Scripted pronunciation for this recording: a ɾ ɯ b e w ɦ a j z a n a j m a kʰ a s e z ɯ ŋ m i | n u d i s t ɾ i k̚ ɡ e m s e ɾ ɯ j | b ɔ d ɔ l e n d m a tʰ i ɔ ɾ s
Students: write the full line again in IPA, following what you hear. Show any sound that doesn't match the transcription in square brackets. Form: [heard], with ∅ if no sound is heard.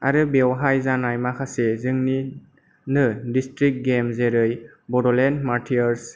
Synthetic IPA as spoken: a ɾ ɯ b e w ɦ a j z a n a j m a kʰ a s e z ɯ ŋ [n] i | n [ɯ] d i s t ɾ i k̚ ɡ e m [z] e ɾ ɯ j | b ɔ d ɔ l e n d m a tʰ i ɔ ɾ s